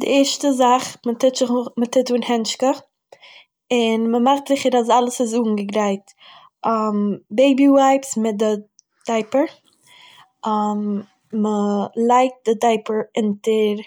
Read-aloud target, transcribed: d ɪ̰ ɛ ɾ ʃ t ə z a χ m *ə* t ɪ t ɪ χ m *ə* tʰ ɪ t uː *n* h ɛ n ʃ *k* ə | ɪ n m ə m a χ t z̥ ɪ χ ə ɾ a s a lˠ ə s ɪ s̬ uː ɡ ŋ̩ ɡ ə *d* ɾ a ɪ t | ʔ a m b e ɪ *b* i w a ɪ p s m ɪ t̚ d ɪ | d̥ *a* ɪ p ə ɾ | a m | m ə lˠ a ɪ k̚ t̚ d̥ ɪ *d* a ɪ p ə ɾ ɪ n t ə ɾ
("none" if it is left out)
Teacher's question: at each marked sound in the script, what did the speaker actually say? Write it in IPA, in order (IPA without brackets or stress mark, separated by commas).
ə, ə, n, k, ɡ, b, a, d